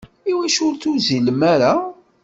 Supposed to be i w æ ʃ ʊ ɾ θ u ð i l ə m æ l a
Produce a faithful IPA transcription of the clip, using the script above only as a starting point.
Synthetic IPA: i w æ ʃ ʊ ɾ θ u z i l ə m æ ɾ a